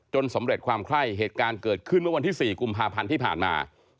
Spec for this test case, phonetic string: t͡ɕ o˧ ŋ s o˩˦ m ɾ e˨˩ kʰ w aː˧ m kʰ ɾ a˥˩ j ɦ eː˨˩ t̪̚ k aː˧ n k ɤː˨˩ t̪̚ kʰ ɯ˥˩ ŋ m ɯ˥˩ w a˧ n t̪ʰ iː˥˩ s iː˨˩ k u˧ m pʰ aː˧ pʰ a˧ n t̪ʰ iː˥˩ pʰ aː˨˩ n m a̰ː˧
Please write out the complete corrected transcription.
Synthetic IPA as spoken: t͡ɕ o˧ n s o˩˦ m ɾ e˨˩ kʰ w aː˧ m kʰ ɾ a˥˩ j ɦ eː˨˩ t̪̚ k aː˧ n k ɤː˨˩ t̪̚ kʰ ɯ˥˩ n m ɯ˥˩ w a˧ n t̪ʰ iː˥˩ s iː˨˩ k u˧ m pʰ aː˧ pʰ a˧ n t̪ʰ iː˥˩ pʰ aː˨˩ n m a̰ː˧